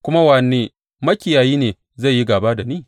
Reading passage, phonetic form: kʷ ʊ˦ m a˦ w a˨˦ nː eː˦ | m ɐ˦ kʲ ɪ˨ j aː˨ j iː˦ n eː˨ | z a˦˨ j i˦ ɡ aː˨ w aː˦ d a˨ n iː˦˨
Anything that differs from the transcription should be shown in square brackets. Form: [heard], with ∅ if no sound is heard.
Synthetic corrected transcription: kʷ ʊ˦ m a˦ w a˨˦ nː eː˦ | m ɐ˦ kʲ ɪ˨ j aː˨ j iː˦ n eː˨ | z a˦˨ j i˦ ɡ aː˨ [b] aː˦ d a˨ n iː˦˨